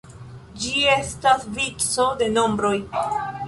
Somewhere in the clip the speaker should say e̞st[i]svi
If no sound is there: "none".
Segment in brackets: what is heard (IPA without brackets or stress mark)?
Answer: a